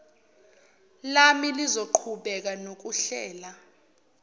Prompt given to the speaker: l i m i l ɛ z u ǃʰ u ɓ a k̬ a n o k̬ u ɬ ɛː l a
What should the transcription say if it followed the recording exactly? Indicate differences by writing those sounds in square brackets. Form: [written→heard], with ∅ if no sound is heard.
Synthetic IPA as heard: l [i→a] m i l [ɛ→i] z [u→o] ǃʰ u ɓ [a→ɛ] k̬ a n o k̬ u ɬ ɛː l a